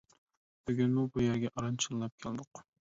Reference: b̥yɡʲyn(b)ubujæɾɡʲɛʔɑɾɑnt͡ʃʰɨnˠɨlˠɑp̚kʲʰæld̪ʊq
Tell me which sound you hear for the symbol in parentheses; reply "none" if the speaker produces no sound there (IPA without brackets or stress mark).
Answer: m